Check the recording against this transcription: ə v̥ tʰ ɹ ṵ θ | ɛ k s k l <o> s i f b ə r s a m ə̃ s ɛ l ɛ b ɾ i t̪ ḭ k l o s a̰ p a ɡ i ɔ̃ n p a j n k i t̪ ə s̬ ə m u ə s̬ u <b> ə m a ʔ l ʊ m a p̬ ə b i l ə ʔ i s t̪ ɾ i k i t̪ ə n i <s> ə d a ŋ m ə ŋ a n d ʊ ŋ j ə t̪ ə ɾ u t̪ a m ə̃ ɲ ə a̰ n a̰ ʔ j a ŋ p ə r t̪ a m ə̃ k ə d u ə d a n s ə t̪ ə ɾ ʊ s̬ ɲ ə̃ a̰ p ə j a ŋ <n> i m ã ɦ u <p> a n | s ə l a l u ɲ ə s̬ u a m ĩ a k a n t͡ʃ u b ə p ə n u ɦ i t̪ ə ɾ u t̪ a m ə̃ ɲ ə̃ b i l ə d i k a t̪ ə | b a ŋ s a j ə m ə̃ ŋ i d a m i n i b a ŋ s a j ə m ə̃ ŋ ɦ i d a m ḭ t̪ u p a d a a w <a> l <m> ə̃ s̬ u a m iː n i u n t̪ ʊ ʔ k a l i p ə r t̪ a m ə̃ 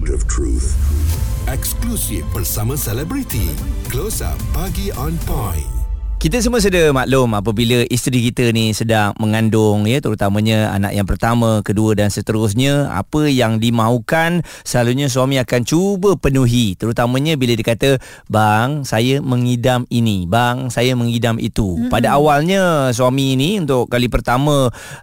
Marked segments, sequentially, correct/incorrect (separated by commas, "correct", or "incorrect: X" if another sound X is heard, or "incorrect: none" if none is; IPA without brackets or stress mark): incorrect: u, incorrect: d, correct, incorrect: d, incorrect: k, correct, incorrect: ɲ